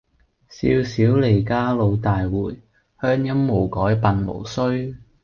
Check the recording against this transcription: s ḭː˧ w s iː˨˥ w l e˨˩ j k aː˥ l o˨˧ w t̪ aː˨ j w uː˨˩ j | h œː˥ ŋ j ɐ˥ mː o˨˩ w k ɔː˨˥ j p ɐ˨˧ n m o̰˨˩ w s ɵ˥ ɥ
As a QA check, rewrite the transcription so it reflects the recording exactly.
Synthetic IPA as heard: s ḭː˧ w s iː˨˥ w l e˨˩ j k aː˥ l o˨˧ w t̪ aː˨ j w uː˨˩ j | h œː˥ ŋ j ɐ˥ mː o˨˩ w k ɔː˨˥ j p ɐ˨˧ n m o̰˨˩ w s ɵ˥ ɥ